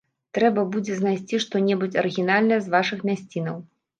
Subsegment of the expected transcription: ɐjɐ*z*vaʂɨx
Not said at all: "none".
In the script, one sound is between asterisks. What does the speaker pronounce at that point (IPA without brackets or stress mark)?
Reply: z